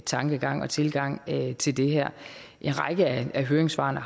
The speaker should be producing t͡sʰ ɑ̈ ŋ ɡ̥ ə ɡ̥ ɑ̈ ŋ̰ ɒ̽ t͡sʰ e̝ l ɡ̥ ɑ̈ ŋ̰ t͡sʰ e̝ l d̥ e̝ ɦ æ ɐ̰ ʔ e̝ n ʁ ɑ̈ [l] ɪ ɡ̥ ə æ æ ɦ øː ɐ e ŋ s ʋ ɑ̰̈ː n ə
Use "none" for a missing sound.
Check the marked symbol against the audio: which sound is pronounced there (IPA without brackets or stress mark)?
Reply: none